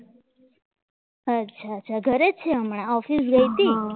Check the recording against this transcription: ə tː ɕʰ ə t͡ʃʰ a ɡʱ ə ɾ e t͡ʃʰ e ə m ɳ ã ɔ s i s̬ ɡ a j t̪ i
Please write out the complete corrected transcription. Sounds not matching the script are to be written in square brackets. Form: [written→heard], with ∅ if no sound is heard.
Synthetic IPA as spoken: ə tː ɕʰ [ə→a] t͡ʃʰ a ɡʱ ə ɾ e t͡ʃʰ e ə m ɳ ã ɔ [s→f] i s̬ ɡ [a→ə] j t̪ i

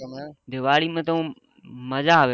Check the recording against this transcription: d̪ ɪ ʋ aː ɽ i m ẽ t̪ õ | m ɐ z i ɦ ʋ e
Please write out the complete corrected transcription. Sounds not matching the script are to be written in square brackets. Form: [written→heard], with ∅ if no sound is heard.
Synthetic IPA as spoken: d̪ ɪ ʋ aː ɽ i m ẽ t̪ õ | m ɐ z [i→a] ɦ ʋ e

